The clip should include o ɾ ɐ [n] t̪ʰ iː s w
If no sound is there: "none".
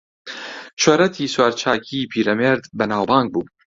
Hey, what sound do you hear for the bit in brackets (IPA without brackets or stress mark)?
none